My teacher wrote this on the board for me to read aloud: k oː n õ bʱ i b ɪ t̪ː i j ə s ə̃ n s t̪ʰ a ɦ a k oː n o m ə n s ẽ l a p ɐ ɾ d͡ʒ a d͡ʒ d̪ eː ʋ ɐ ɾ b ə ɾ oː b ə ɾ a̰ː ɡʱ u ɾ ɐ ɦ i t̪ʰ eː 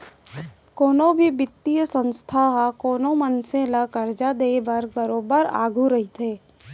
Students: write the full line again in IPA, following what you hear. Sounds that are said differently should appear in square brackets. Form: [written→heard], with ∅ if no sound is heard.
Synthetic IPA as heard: k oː n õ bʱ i b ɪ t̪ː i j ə s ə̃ n s t̪ʰ a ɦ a k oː n o m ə n s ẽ l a [p→k] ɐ ɾ d͡ʒ a [d͡ʒ→∅] d̪ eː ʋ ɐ ɾ b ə ɾ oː b ə ɾ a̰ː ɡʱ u ɾ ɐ ɦ i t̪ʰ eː